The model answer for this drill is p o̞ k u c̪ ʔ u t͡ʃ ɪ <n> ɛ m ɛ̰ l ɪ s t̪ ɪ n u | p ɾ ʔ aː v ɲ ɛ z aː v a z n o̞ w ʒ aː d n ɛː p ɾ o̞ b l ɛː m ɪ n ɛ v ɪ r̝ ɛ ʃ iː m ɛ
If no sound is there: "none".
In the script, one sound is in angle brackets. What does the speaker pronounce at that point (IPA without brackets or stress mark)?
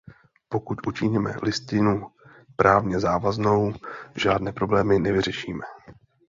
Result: ɲ